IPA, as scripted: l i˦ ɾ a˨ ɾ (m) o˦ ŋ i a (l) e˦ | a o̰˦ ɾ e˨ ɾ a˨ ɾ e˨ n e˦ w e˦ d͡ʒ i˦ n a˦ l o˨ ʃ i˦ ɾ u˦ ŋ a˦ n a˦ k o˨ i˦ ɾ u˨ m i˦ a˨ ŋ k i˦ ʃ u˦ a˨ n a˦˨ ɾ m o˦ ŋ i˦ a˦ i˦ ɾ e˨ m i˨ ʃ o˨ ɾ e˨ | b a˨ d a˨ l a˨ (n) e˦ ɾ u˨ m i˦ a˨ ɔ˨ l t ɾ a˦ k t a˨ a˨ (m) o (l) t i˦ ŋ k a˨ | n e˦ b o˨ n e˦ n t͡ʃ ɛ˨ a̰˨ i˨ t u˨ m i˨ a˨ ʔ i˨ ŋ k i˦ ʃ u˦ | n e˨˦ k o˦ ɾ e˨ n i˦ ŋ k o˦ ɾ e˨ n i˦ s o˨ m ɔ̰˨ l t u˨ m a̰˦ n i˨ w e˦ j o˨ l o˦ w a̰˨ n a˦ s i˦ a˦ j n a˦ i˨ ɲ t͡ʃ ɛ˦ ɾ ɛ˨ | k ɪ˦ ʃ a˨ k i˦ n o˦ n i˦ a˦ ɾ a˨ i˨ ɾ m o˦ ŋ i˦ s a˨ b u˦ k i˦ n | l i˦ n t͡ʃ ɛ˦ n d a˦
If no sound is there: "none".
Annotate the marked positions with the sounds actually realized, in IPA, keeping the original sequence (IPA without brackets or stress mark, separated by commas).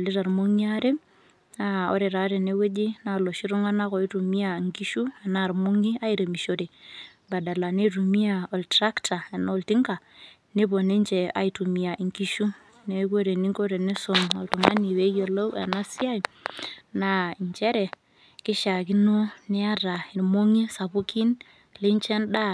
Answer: m, ɾ, n, n, l